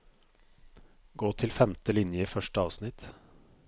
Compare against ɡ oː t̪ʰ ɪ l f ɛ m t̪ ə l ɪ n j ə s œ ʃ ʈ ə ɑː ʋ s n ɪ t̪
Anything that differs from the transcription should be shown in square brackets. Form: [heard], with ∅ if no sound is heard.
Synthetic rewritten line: ɡ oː t̪ʰ ɪ l f ɛ m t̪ ə l ɪ n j ə [f] œ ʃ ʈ ə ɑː ʋ s n ɪ t̪